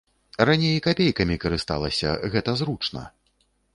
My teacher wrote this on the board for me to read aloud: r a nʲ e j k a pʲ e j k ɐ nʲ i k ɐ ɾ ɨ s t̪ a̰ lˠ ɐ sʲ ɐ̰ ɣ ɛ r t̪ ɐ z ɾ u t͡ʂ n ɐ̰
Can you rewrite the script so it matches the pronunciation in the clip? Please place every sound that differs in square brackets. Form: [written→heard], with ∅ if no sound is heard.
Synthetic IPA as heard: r a nʲ e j k a pʲ e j k ɐ [nʲ→mʲ] i k ɐ ɾ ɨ s t̪ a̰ lˠ ɐ sʲ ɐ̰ ɣ ɛ [r→∅] t̪ ɐ z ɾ u t͡ʂ n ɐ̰